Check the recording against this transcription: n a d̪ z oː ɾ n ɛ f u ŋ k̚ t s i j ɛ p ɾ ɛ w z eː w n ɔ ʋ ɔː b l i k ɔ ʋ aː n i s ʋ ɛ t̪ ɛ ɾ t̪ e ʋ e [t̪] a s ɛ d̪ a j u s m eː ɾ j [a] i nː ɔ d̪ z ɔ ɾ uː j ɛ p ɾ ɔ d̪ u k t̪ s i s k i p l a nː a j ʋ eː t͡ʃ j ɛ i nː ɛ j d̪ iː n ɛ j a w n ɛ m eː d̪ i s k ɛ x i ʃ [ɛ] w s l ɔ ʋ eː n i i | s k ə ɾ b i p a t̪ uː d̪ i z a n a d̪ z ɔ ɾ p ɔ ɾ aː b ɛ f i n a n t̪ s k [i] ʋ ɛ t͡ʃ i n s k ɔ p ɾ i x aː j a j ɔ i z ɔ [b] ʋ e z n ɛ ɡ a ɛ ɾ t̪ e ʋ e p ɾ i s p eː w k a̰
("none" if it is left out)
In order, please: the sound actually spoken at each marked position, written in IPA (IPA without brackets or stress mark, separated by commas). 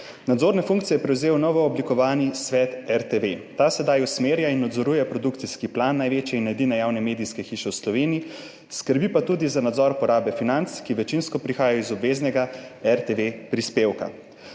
t̪, a, ɛ, i, b